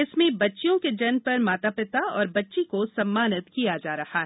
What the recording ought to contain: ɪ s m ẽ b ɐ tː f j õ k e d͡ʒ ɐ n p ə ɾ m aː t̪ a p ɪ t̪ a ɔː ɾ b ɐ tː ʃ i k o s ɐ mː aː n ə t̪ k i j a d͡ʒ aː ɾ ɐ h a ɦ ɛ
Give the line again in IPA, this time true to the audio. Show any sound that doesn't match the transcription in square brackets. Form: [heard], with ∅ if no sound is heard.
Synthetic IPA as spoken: ɪ s m ẽ b ɐ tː [ʃ] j õ k e d͡ʒ ɐ n p [ɐ] ɾ m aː t̪ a p ɪ t̪ a ɔː ɾ b ɐ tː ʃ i k o s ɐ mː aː n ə t̪ k i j a d͡ʒ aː ɾ ɐ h a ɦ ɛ

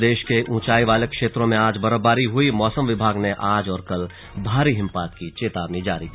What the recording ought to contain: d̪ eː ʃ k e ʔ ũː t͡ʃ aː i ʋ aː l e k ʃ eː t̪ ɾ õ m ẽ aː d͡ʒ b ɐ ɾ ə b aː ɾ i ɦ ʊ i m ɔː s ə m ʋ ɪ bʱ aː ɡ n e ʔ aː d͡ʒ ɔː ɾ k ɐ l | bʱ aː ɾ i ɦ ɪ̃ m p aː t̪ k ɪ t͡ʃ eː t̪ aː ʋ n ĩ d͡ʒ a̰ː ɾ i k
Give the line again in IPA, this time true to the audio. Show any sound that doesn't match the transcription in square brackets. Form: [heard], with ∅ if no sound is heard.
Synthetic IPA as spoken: d̪ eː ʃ k e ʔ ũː t͡ʃ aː i ʋ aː l e k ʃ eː t̪ ɾ õ m ẽ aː d͡ʒ b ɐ ɾ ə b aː ɾ i ɦ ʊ i m ɔː s ə m ʋ ɪ bʱ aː ɡ n e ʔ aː d͡ʒ ɔː ɾ k ɐ l | bʱ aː ɾ i ɦ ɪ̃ m p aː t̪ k [i] t͡ʃ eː t̪ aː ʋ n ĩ d͡ʒ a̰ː ɾ i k

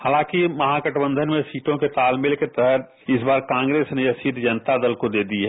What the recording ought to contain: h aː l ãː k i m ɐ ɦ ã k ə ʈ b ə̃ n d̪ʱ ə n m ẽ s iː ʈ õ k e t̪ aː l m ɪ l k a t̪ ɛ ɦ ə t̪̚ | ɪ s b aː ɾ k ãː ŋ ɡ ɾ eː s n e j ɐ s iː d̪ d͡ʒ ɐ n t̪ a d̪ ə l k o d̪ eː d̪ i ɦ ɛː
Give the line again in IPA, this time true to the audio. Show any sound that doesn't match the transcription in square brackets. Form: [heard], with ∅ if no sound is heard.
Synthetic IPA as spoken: h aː l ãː k i m ɐ ɦ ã k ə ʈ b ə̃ n d̪ʱ ə n m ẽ s iː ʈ õ k e t̪ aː l m ɪ l k [e] t̪ ɛ ɦ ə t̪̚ | ɪ s b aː ɾ k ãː ŋ ɡ ɾ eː s n e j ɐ s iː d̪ d͡ʒ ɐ n t̪ a d̪ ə l k o d̪ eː d̪ i ɦ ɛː

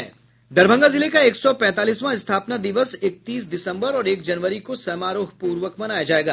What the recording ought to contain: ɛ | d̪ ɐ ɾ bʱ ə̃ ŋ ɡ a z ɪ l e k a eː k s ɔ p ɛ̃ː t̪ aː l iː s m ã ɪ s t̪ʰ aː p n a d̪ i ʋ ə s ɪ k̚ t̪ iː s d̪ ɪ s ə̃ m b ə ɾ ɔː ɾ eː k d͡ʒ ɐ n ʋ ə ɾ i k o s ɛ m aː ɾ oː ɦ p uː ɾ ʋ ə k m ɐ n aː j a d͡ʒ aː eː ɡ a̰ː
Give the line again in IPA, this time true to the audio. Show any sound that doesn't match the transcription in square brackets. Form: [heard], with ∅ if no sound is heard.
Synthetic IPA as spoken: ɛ | d̪ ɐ ɾ bʱ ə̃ ŋ ɡ a z ɪ l e k a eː k s ɔ p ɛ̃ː t̪ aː l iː s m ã ɪ s t̪ʰ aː p n a d̪ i ʋ ə s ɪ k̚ t̪ iː s d̪ ɪ s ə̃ m b ə ɾ ɔː ɾ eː k d͡ʒ ɐ n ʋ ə ɾ i k o s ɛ m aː ɾ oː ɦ p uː ɾ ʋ ə k m ɐ n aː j a d͡ʒ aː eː ɡ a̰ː

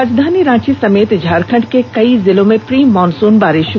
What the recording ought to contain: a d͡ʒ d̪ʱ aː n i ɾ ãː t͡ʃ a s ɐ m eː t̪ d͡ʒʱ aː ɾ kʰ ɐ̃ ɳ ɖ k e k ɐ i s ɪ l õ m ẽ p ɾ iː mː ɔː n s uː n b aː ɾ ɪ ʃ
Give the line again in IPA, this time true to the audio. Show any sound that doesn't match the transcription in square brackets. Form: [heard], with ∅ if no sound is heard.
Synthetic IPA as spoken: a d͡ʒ d̪ʱ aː n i ɾ ãː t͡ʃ [i] s ɐ m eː t̪ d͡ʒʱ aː ɾ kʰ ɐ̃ ɳ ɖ k e k ɐ i [z] ɪ l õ m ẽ p ɾ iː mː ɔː n s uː n b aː ɾ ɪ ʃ

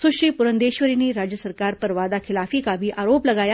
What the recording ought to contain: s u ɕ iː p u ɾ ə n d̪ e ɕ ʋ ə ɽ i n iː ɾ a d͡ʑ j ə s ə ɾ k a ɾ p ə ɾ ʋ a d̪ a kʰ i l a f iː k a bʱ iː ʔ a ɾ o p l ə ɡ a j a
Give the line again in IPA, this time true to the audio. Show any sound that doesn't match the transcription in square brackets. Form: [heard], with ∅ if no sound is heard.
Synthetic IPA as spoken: s u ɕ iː p u ɾ ə n d̪ e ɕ ʋ ə [ɾ] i n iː ɾ a d͡ʑ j ə s ə ɾ k a ɾ p ə ɾ ʋ a d̪ a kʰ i l a f iː k a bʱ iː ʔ a ɾ o p l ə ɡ a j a

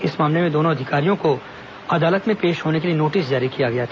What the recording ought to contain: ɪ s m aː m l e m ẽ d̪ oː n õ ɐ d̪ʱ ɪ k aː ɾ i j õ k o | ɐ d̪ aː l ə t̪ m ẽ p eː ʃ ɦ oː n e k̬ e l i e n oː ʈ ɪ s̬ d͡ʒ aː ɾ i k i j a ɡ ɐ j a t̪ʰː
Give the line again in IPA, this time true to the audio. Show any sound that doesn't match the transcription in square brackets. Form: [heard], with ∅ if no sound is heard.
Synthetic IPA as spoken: ɪ s m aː m l e m ẽ d̪ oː n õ ɐ d̪ʱ ɪ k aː ɾ i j õ k o | ɐ d̪ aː l ə t̪ m ẽ p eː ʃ ɦ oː n e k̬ e l i e n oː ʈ ɪ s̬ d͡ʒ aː ɾ i k i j a ɡ ɐ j a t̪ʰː

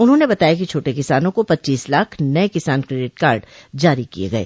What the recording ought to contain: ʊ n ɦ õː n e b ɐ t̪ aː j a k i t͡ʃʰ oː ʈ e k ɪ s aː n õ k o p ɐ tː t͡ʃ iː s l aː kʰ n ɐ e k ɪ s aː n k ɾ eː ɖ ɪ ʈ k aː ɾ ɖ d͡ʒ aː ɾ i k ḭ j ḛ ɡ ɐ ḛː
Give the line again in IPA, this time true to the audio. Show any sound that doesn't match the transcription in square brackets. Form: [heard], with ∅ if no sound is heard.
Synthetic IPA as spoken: ʊ n ɦ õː n e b ɐ t̪ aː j a k i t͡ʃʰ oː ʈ e k ɪ s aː n õ k o p ɐ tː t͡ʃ iː s l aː kʰ n ɐ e k ɪ s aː n k ɾ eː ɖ ɪ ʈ k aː ɾ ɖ d͡ʒ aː ɾ i k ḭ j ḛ ɡ ɐ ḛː

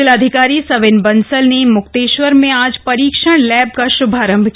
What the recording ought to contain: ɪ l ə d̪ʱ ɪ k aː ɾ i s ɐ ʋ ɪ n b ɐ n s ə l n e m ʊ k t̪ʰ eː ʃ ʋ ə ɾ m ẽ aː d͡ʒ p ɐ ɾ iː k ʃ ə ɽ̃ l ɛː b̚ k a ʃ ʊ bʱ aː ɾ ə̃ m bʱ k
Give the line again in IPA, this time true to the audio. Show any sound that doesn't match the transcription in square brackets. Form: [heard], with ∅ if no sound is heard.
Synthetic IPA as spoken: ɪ l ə d̪ʱ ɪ k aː ɾ i s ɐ ʋ ɪ n b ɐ n s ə l n e m ʊ k [t̪] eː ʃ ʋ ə ɾ m ẽ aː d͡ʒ p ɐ ɾ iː k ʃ ə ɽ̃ l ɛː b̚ k a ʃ ʊ bʱ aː ɾ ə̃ m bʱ k

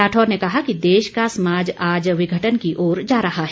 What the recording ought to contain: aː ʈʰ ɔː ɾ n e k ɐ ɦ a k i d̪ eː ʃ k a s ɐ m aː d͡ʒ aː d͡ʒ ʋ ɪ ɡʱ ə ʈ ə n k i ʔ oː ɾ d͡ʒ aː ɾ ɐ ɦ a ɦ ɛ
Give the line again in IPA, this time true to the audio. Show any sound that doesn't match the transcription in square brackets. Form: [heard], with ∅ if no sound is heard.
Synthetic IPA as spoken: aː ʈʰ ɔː ɾ n e k ɐ ɦ a k i d̪ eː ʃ k a s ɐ m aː d͡ʒ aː d͡ʒ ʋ ɪ ɡʱ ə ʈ ə n k i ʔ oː ɾ d͡ʒ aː ɾ ɐ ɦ a ɦ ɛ

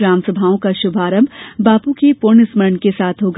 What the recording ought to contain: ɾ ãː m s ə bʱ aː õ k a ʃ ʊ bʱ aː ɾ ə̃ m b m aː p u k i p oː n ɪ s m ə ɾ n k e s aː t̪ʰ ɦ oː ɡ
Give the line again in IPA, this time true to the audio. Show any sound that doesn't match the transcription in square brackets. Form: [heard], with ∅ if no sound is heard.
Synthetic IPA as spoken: ɾ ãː m s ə bʱ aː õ k a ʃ ʊ bʱ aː ɾ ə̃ m b [b] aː p u k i p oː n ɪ s m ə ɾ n k e s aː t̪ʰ ɦ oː ɡ

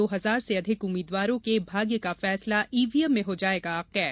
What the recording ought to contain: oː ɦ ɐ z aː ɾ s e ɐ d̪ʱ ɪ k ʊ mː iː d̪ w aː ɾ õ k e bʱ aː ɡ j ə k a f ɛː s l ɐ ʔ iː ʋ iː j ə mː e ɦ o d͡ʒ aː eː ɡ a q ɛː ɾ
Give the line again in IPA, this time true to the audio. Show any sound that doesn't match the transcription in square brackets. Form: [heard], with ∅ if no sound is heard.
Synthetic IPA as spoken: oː ɦ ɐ z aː ɾ s e ɐ d̪ʱ ɪ k ʊ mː iː d̪ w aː ɾ õ k e bʱ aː ɡ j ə k a f ɛː s l [a] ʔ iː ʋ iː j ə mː [ẽ] ɦ o d͡ʒ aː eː ɡ a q ɛː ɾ

